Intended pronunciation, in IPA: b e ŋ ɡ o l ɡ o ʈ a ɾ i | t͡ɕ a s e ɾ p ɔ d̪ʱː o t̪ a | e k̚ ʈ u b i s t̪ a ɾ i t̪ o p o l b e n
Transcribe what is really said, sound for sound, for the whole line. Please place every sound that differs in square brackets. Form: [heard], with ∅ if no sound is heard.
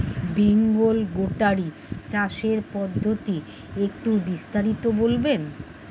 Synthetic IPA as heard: b e ŋ ɡ o l ɡ o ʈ a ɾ i | t͡ɕ a [ʃ] e ɾ p ɔ d̪ʱː o t̪ [i] | e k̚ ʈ u b i s t̪ a ɾ i t̪ o [b] o l b e n